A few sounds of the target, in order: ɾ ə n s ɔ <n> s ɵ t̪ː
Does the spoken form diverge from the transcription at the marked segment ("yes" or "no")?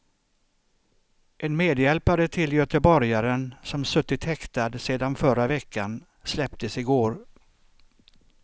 yes